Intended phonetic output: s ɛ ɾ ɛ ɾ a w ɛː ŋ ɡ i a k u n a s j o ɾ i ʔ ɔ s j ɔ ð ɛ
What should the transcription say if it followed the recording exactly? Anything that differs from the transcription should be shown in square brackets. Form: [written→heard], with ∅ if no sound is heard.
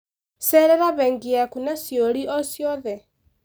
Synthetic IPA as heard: s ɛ ɾ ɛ ɾ a [w→β] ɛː ŋ ɡ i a k u n a s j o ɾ i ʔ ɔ s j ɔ ð ɛ